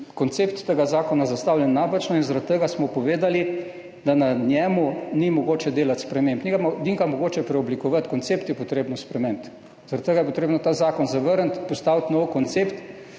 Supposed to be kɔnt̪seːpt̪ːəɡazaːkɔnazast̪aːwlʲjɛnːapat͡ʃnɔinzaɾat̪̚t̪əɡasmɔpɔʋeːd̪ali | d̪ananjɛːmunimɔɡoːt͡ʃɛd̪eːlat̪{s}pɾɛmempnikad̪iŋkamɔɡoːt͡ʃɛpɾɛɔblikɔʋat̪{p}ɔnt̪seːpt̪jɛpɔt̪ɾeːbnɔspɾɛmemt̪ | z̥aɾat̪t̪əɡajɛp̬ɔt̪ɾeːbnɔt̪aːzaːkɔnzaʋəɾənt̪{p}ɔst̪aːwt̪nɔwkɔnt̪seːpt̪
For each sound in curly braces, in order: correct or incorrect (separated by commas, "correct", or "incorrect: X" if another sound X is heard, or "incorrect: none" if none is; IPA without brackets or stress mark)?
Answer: correct, incorrect: k, correct